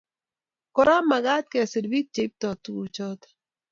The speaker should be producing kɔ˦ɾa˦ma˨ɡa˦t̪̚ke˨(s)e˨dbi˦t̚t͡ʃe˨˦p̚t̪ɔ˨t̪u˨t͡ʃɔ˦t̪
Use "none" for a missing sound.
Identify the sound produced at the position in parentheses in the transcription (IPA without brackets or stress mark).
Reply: s